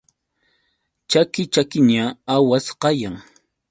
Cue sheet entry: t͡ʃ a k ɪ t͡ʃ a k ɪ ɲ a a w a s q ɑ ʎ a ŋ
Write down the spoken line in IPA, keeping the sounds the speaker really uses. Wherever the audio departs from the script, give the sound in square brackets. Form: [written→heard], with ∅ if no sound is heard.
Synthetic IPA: t͡ʃ a k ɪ t͡ʃ a k ɪ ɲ a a w a s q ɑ [ʎ→j] a ŋ